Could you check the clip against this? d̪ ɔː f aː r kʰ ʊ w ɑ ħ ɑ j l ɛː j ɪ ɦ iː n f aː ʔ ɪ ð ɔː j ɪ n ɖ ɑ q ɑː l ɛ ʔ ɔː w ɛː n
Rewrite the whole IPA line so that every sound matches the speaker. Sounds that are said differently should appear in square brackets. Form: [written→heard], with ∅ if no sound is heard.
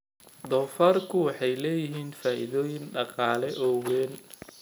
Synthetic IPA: d̪ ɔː f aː r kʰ ʊ w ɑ ħ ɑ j l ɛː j ɪ ɦ iː n f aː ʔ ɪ ð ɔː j ɪ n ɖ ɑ q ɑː l ɛ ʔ ɔː w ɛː n